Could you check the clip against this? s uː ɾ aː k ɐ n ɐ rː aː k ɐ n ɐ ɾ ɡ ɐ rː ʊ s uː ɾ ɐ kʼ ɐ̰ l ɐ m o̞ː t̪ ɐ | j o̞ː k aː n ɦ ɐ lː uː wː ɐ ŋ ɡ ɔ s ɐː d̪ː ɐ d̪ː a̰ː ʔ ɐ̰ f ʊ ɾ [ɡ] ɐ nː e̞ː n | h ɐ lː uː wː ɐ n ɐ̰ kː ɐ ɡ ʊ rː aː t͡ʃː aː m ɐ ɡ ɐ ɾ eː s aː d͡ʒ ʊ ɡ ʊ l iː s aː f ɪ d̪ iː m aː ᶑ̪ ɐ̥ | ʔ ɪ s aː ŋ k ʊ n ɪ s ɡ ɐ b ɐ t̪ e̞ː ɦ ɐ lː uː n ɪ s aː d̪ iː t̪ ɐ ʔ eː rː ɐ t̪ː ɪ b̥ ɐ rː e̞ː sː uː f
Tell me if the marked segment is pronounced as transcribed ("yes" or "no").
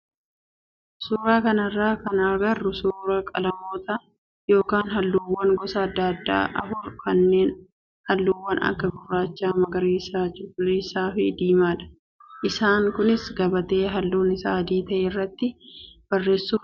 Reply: no